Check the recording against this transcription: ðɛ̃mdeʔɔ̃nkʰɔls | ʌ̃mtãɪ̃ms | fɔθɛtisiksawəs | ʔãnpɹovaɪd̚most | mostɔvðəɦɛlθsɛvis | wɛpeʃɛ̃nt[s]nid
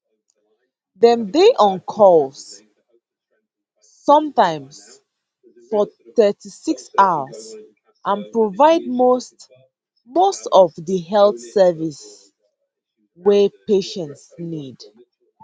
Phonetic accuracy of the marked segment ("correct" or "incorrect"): correct